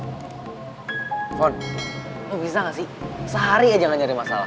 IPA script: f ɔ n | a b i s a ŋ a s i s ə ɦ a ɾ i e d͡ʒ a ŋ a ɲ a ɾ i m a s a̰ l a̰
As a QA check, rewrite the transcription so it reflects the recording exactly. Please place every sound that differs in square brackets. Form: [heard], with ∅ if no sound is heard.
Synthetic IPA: f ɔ n | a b i s a ŋ a s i s ə ɦ a ɾ i [a] d͡ʒ a ŋ a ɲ a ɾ i m a s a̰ l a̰